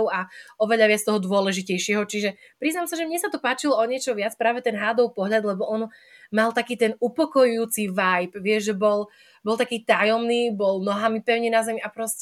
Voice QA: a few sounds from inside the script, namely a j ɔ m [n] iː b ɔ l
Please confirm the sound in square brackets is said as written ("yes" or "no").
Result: yes